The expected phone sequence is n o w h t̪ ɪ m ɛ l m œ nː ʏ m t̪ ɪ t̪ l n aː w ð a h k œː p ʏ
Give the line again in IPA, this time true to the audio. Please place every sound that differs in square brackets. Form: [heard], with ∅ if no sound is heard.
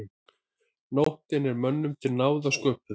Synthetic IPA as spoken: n o w h t̪ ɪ [n] ɛ [ɾ] m œ nː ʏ m [t̪ʰ] ɪ [∅] l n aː w ð a [s] k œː p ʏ